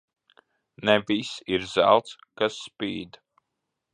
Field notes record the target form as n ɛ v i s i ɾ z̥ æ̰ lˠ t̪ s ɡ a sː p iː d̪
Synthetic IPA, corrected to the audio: n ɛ v i s i ɾ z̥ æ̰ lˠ t̪ s k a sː p iː d̪